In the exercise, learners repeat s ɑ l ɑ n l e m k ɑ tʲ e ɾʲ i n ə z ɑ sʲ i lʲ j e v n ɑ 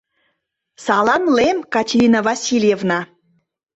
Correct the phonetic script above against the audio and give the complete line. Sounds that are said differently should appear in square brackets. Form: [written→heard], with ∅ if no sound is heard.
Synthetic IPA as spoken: s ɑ l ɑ [n→m] l e m k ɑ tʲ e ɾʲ i n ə [z→v] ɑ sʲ i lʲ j e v n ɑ